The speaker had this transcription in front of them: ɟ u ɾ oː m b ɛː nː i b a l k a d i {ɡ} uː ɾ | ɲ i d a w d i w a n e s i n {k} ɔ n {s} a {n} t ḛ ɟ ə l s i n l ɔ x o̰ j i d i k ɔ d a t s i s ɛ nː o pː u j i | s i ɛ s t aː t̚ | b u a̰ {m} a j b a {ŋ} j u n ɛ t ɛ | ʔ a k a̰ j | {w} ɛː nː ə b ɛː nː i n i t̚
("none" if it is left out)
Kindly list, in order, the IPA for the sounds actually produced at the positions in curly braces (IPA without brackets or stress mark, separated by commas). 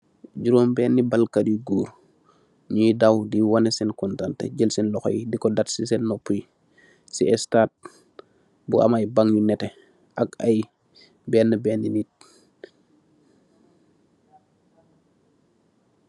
ɡ, k, t, n, m, ŋ, b